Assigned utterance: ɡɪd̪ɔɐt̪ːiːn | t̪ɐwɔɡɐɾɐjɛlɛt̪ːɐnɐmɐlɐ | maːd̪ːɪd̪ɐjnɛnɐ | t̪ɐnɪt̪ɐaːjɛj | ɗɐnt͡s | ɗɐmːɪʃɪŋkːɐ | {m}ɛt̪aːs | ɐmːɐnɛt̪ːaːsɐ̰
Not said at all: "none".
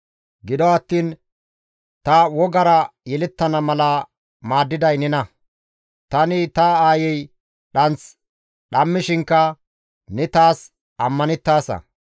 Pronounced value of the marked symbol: n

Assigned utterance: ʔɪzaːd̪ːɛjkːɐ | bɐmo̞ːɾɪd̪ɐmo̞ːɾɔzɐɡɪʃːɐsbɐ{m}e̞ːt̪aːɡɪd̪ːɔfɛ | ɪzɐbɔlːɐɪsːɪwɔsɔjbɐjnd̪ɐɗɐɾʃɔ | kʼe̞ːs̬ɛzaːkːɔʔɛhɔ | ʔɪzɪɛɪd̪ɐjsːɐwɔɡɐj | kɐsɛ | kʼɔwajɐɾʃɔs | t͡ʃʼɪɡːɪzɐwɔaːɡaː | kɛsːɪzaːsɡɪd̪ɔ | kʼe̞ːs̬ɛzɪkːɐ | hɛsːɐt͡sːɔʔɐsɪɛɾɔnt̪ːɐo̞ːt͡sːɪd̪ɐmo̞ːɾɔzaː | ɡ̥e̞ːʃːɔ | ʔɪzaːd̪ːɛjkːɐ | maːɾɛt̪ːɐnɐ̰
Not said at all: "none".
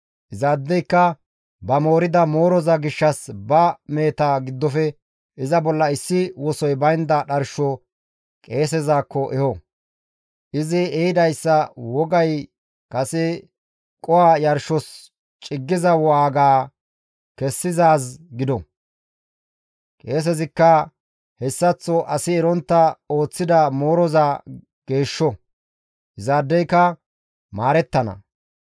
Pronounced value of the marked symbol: m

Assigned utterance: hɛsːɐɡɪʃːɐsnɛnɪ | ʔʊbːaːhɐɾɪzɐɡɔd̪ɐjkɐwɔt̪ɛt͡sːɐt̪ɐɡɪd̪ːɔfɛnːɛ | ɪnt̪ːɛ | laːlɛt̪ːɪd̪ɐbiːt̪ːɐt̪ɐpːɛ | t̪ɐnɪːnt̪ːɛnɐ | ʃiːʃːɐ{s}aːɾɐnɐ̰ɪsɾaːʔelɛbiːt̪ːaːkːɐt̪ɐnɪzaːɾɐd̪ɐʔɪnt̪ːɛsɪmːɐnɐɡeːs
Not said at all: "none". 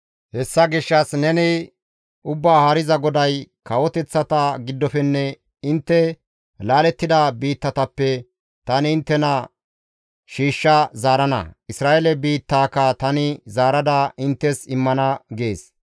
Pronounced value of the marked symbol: z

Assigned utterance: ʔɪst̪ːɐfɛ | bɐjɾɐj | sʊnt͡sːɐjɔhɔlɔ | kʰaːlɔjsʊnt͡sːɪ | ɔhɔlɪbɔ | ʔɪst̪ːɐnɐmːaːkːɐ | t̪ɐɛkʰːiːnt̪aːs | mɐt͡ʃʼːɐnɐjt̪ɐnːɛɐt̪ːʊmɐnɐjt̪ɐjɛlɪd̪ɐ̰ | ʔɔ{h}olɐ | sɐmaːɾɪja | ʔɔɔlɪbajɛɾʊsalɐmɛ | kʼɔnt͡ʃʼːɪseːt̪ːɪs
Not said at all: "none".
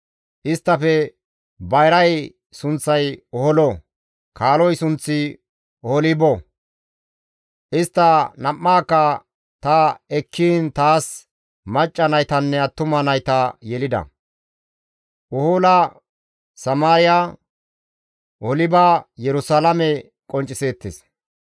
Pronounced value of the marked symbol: h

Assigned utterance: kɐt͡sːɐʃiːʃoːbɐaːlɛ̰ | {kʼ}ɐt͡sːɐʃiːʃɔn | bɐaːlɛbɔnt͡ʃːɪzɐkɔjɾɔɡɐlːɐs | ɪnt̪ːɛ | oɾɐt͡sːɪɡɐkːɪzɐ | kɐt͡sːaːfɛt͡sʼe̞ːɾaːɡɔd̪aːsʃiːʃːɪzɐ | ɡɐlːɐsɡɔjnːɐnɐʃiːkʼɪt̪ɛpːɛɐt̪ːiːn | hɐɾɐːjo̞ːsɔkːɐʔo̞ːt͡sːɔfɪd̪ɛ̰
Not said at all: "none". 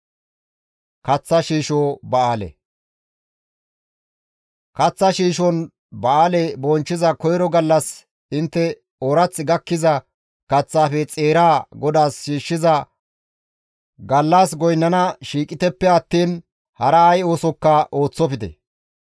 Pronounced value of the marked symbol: k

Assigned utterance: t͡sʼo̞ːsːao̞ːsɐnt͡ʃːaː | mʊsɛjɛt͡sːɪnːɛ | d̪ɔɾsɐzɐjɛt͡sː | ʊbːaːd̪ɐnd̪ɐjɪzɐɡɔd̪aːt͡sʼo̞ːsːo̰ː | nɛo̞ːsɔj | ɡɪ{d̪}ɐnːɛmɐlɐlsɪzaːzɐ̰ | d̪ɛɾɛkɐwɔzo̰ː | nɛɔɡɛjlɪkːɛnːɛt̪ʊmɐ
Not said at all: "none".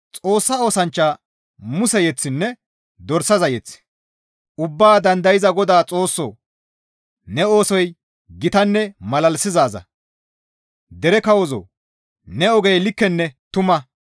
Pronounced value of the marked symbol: t̪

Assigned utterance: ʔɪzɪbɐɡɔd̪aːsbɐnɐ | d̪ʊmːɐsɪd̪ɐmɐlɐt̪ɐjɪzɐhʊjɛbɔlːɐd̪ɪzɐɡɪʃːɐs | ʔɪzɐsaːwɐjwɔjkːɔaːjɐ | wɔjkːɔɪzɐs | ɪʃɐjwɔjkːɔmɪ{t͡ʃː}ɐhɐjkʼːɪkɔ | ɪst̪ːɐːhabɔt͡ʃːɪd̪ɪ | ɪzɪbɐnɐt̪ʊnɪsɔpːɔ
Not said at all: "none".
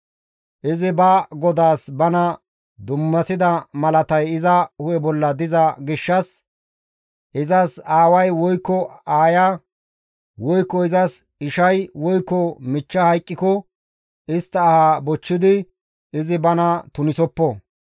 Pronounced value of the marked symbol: t͡ʃː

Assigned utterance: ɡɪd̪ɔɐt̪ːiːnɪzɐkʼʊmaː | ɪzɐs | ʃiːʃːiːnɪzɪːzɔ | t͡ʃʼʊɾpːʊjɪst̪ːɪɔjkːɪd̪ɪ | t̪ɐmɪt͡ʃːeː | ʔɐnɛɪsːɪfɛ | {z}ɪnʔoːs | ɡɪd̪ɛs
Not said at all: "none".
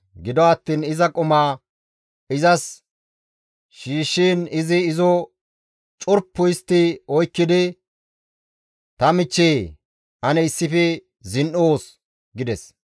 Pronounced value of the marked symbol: z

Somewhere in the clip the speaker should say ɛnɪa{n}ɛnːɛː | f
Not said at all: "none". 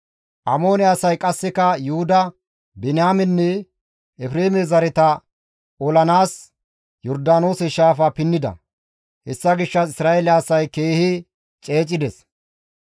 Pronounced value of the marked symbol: m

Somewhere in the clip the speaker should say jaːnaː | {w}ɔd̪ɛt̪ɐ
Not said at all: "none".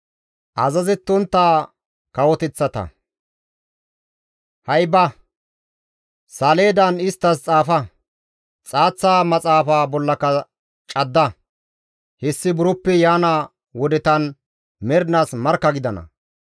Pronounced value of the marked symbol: w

